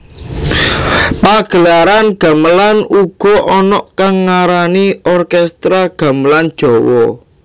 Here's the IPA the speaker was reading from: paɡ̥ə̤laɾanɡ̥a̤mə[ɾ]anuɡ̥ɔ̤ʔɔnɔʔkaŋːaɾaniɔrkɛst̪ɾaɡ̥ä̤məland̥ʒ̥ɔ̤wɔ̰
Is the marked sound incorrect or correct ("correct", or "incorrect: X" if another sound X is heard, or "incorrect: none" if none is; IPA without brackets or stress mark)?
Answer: incorrect: l